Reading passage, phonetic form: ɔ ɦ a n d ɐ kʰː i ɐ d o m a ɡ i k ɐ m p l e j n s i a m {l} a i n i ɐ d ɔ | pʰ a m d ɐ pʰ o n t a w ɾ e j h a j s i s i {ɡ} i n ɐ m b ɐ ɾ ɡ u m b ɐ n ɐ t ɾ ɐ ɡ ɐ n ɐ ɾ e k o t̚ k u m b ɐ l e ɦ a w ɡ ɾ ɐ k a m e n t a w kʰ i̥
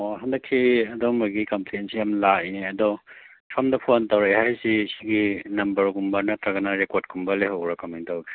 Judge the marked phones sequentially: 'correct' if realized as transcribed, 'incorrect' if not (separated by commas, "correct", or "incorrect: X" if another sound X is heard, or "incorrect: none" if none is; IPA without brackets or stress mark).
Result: correct, correct